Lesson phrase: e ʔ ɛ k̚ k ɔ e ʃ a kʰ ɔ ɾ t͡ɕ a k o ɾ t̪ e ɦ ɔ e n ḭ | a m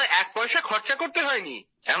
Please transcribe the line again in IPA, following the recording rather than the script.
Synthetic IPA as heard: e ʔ ɛ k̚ p ɔ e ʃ a kʰ ɔ ɾ t͡ɕ a k o ɾ t̪ e ɦ ɔ e n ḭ | ɛ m